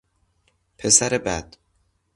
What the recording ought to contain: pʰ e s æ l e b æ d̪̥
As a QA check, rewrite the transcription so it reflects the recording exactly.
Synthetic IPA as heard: pʰ e s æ ɾ e b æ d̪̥